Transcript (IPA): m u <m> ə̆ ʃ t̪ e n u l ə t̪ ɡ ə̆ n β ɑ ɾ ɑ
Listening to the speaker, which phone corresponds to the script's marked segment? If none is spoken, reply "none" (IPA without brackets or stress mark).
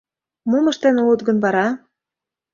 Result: m